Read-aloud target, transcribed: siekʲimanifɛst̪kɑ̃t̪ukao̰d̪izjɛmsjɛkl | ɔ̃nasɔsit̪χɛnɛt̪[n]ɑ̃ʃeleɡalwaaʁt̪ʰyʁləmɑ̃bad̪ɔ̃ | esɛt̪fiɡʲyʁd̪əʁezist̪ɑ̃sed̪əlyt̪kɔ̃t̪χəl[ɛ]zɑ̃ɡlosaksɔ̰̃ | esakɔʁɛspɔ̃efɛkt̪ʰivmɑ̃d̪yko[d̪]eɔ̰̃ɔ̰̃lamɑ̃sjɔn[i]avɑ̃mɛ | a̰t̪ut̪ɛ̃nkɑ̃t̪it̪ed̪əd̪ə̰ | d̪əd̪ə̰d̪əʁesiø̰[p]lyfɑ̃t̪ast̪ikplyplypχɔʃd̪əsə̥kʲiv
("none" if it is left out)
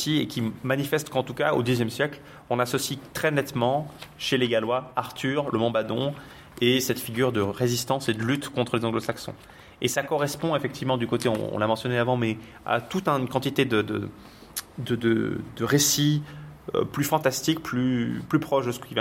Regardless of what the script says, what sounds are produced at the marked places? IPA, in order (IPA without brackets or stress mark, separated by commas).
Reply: m, e, t̪, e, p